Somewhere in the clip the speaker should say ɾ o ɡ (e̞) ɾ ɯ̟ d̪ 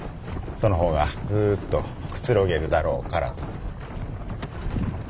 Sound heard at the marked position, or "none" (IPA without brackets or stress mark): e̞